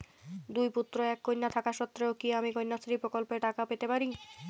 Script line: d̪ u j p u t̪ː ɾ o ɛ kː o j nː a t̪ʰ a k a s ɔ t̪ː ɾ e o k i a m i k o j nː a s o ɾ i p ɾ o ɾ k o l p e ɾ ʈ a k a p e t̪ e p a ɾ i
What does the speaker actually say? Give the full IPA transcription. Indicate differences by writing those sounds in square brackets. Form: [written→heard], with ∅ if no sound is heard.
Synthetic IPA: d̪ u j p u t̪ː ɾ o ɛ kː o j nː a t̪ʰ a k a [s→ʃ] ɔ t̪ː ɾ e o k i a m i k o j nː a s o ɾ i p ɾ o [ɾ→∅] k o l p e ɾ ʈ a k a p e t̪ e p a ɾ i